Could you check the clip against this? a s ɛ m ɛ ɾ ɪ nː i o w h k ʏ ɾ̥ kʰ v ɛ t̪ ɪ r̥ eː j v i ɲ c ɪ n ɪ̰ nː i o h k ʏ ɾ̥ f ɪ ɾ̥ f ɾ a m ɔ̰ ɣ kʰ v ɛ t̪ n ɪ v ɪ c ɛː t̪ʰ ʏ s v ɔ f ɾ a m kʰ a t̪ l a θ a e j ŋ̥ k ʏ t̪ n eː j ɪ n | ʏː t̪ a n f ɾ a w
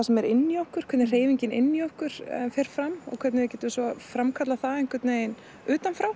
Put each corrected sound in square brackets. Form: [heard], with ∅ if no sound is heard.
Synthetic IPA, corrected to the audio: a s ɛ m ɛ ɾ ɪ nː i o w h k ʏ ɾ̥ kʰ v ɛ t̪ ɪ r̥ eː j v i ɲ c ɪ n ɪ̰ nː i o h k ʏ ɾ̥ f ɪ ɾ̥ f ɾ a m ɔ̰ ɣ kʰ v ɛ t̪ n ɪ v ɪ c ɛː [t̪] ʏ s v ɔ f ɾ a m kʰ a t̪ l a θ a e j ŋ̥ k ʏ t̪ n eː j ɪ n | ʏː t̪ a n f ɾ a w